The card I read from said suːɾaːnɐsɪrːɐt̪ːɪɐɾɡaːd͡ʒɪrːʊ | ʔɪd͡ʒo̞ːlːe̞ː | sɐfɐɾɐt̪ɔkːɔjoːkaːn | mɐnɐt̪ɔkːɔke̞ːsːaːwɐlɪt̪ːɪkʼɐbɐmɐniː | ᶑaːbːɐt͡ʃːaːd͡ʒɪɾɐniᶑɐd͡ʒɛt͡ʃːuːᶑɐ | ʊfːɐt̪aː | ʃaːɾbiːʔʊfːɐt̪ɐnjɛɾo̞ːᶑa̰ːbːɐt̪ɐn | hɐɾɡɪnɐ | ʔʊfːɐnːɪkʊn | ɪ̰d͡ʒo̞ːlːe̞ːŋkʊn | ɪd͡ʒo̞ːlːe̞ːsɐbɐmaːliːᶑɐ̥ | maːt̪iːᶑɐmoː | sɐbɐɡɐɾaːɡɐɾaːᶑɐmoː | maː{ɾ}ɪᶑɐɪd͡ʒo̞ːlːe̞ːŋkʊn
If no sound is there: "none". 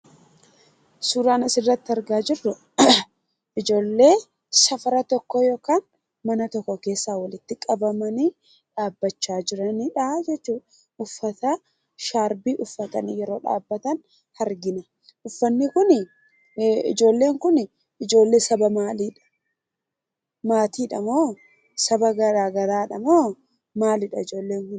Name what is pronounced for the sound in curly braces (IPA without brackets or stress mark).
l